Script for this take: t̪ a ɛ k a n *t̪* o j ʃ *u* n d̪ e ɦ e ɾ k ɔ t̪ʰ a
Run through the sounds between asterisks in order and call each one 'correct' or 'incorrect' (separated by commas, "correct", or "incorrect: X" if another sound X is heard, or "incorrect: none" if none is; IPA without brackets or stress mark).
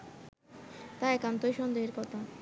correct, incorrect: ɔ